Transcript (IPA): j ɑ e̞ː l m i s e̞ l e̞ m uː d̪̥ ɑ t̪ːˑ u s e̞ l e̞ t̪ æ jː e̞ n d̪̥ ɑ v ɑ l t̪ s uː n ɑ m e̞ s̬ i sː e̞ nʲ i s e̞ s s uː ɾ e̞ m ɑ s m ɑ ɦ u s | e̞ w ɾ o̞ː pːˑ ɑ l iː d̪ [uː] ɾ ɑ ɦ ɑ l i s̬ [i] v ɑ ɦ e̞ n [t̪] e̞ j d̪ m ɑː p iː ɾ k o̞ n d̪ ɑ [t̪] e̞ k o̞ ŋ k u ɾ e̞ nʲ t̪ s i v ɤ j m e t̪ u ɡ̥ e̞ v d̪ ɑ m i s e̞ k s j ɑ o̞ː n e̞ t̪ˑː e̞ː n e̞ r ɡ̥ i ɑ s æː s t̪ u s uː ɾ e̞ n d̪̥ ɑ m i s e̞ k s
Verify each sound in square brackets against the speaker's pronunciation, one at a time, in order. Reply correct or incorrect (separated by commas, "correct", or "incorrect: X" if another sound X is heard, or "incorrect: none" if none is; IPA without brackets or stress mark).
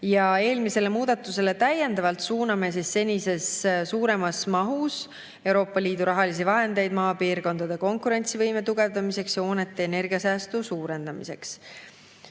incorrect: u, correct, incorrect: d̪, incorrect: d̪